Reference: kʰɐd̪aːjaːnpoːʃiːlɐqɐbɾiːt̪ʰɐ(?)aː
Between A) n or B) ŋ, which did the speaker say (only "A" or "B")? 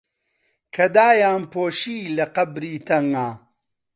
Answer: B